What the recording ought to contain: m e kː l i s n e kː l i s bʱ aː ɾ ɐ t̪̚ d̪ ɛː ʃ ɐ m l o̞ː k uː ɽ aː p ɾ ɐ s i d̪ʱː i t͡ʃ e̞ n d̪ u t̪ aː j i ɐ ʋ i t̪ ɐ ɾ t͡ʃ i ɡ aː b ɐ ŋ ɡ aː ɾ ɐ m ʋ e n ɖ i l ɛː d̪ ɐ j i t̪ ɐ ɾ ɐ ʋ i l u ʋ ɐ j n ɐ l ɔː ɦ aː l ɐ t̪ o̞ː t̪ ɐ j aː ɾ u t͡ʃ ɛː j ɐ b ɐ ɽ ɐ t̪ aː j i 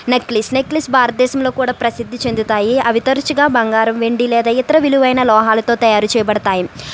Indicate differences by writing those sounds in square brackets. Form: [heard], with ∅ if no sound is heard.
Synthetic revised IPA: [n] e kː l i s n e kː l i s bʱ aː ɾ ɐ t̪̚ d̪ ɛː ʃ ɐ m l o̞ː k uː ɽ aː p ɾ ɐ s i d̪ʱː i t͡ʃ e̞ n d̪ u t̪ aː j i ɐ ʋ i t̪ ɐ ɾ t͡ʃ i ɡ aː b ɐ ŋ ɡ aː ɾ ɐ m ʋ e [ɳ] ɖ i l ɛː d̪ ɐ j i t̪ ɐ ɾ ɐ ʋ i l u ʋ ɐ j n ɐ l ɔː ɦ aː l ɐ t̪ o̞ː t̪ ɐ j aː ɾ u t͡ʃ ɛː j ɐ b ɐ ɽ ɐ t̪ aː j i